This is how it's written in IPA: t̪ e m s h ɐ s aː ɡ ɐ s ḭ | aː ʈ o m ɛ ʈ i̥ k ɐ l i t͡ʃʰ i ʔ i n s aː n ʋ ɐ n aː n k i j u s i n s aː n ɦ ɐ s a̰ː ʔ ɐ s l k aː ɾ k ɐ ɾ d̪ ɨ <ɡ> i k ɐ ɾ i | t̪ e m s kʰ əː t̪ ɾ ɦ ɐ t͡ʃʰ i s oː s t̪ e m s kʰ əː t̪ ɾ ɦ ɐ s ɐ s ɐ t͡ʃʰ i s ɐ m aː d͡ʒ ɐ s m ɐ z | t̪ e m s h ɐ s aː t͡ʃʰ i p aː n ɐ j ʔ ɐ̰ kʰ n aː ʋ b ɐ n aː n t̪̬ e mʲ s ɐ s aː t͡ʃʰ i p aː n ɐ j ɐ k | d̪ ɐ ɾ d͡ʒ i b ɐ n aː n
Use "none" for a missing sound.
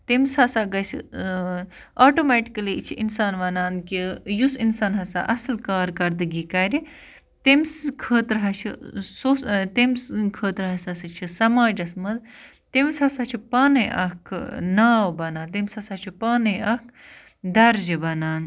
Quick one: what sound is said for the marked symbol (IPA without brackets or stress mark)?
ɡ